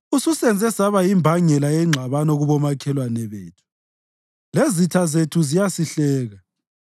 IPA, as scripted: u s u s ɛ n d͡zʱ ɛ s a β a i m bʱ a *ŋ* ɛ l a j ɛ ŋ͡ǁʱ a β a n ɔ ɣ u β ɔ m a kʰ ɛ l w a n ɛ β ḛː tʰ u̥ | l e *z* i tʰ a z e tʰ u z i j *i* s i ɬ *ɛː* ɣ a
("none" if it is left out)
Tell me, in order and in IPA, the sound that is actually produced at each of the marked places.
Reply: ŋ, z, a, ɛː

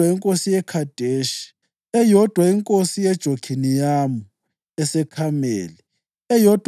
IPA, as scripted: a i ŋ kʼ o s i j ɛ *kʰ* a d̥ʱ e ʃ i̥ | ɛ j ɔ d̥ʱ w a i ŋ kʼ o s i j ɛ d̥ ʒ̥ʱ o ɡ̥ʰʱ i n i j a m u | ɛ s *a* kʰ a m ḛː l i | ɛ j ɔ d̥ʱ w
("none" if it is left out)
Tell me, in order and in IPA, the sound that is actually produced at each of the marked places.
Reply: kʰ, ɛ

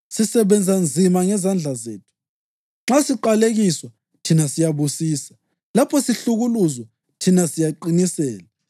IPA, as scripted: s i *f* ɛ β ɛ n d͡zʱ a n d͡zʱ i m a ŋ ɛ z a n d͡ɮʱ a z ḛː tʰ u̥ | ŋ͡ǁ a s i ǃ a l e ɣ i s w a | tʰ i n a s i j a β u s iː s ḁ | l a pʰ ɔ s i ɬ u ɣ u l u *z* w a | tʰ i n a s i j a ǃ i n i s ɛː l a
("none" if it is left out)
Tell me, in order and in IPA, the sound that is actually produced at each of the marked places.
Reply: s, z

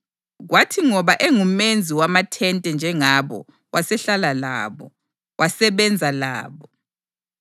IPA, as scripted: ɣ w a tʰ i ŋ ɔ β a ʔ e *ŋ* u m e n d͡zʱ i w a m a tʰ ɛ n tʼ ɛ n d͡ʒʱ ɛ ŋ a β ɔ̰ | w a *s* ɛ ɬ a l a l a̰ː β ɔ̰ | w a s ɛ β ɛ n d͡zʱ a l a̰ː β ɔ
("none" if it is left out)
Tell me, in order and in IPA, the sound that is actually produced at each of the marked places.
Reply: ŋ, s

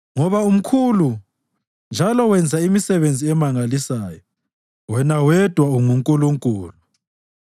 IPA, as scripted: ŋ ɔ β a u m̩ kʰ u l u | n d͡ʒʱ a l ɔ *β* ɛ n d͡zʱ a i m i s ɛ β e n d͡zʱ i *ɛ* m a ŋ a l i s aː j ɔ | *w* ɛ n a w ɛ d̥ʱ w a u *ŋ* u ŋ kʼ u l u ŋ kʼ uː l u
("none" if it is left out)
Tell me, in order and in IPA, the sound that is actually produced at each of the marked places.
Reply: w, ɛ, w, ŋ

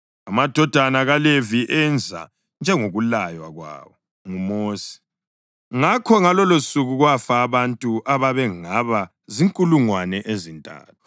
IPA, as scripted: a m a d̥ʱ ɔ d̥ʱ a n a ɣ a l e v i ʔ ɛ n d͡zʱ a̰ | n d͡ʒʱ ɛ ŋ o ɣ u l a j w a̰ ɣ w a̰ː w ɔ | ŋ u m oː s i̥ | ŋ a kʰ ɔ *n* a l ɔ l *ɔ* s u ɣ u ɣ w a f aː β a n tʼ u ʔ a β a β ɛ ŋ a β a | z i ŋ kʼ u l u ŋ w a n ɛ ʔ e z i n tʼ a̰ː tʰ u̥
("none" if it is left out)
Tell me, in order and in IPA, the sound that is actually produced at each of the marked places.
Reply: ŋ, o

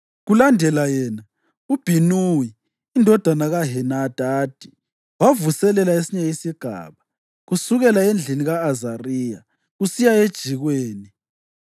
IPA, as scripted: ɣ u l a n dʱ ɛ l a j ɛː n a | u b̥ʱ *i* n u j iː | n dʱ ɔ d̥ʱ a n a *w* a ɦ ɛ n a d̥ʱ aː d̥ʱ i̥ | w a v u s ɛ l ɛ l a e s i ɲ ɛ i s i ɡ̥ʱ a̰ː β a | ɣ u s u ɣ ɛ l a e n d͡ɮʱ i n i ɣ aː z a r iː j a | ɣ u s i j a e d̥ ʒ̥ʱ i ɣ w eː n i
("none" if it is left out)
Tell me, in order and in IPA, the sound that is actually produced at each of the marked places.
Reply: i, ɣ

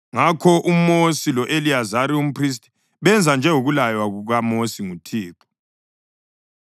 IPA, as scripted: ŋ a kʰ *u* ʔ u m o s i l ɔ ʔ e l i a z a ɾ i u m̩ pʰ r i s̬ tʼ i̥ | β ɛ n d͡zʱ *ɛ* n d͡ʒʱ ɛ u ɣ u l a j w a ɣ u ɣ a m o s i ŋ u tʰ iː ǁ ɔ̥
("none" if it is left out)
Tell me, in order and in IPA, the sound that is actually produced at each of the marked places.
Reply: ɔ, a

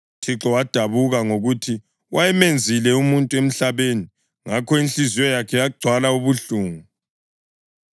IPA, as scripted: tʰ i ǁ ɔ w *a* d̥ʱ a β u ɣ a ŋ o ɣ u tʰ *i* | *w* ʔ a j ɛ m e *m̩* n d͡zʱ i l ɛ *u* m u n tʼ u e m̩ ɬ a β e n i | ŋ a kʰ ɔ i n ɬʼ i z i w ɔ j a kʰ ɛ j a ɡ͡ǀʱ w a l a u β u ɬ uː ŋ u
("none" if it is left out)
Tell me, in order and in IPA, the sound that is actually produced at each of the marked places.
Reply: a, i, w, none, u

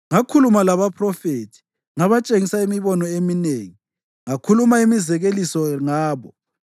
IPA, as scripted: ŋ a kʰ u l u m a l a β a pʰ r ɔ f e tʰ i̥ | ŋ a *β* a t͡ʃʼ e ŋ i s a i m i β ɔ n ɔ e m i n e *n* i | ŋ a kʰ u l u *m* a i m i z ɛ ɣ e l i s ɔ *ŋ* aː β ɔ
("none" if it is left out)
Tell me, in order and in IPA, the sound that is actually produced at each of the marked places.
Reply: β, ŋ, m, ŋ

